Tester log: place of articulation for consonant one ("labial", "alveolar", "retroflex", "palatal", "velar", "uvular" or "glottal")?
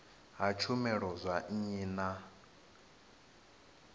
glottal